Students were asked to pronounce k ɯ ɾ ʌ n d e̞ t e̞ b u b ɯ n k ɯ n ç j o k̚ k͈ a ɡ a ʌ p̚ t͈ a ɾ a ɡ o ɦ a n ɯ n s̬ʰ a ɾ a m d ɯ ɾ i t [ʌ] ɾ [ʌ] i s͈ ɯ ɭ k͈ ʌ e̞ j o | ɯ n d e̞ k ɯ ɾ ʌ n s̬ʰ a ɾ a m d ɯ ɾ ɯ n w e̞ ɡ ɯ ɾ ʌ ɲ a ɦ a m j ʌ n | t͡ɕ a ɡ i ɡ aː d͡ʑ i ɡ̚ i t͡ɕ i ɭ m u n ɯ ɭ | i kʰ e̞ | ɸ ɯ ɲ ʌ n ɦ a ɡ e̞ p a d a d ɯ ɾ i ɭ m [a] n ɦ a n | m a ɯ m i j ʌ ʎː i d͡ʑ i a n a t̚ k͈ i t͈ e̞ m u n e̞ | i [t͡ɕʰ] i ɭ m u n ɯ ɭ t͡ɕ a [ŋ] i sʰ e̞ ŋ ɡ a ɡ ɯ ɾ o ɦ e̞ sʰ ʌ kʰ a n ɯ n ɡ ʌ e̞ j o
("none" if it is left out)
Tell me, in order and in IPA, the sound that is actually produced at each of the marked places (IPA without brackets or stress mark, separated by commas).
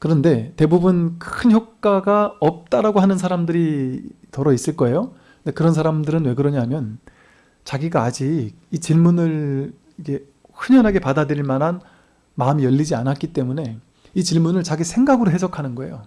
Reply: ʌ, ʌ, a, t͡ɕ, ɡ